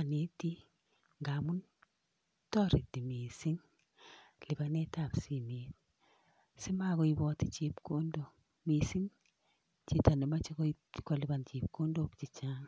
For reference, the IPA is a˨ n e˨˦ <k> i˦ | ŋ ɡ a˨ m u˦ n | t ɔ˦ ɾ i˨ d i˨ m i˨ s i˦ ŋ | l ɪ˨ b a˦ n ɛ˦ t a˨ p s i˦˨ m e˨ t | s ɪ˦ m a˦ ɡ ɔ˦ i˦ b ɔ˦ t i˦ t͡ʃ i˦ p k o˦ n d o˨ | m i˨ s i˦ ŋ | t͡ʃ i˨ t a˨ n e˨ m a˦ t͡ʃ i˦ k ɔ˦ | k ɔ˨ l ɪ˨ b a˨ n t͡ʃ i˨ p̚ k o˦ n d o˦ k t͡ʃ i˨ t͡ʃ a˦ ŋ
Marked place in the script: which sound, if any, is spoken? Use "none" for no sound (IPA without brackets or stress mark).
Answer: t